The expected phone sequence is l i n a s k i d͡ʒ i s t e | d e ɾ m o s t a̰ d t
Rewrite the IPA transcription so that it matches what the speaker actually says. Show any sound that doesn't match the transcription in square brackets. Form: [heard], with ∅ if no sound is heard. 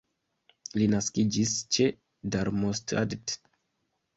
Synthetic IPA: l i n a s k i d͡ʒ i s [t͡ʃ] e | d [a] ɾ m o s t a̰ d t